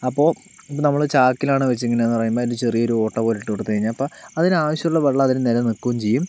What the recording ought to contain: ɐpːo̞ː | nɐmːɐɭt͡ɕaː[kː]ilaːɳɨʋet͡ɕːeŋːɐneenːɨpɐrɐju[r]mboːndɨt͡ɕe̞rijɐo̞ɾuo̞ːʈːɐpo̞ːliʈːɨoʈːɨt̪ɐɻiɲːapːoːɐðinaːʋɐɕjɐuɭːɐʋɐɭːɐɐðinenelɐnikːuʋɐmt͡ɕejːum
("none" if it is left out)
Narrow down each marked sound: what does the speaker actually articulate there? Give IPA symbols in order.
kː, none

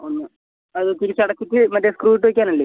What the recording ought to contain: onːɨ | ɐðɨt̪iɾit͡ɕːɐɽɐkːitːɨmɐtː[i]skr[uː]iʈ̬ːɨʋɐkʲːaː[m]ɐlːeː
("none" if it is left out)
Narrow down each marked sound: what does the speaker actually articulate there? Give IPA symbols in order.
e, uː, n

